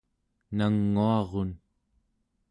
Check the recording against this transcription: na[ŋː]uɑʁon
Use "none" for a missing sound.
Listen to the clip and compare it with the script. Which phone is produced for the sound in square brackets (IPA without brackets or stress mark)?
ŋː